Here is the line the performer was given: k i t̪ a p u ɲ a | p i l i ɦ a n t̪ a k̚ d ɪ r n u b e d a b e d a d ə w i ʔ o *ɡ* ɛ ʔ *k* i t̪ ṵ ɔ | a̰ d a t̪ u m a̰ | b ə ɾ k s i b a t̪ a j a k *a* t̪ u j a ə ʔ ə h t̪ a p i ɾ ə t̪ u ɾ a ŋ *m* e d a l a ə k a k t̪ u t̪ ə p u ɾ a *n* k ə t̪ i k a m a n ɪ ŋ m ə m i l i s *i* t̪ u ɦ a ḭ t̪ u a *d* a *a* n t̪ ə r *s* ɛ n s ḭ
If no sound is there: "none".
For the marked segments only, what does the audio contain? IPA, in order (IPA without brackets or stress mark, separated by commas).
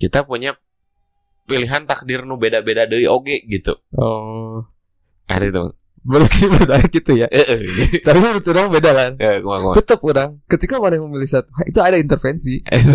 ɡ, ɡ, i, b, ŋ, a, d, i, f